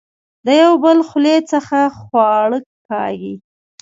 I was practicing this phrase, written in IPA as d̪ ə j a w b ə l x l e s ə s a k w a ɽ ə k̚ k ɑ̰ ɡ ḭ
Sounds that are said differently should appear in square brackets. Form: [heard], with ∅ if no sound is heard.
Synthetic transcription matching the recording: d̪ ə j a w b ə l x l e [t͡s] ə [x] a [x] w [ɑ] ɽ ə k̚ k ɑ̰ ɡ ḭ